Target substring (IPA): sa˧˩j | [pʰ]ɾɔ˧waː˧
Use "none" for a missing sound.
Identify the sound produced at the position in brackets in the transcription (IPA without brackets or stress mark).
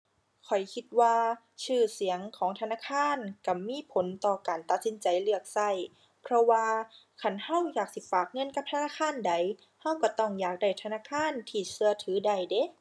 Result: pʰ